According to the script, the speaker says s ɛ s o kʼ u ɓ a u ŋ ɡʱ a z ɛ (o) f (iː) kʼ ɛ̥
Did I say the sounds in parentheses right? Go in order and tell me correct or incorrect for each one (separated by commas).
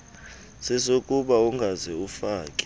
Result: incorrect, incorrect